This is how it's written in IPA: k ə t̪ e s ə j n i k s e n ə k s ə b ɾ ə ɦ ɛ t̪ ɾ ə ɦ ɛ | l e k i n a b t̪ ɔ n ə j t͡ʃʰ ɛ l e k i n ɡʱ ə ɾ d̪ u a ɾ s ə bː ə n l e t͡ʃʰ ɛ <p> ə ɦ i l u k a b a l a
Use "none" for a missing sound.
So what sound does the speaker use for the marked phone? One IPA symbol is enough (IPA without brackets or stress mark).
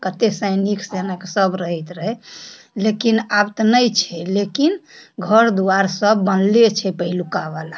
p